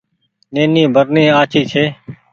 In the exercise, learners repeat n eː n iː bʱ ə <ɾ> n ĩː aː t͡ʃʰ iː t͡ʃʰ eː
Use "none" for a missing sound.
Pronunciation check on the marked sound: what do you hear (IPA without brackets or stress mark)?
ɾ